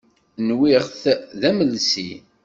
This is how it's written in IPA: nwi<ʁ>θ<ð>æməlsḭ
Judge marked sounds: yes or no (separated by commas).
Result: yes, yes